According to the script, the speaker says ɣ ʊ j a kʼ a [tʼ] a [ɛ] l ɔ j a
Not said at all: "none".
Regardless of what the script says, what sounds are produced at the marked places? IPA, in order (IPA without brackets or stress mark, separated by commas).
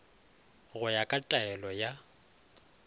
tʼ, ɛ